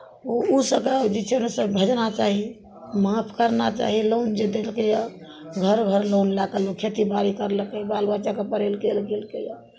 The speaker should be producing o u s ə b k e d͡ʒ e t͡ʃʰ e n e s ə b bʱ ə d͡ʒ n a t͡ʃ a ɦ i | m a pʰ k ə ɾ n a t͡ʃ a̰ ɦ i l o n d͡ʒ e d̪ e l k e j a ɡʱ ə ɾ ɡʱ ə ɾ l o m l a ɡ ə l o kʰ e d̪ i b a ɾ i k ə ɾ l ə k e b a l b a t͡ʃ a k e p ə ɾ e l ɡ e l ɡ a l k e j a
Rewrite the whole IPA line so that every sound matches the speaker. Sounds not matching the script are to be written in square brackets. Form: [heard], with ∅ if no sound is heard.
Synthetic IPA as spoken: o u s ə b k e d͡ʒ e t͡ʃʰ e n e s ə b bʱ ə d͡ʒ n a t͡ʃ a ɦ i | m a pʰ k ə ɾ n a t͡ʃ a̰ ɦ i l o n d͡ʒ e d̪ e l k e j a ɡʱ ə ɾ ɡʱ ə ɾ l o [n] l a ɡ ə l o kʰ e [t̪] i b a ɾ i k ə ɾ l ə k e b a l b a t͡ʃ a k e p ə ɾ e l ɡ e l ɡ [e] l k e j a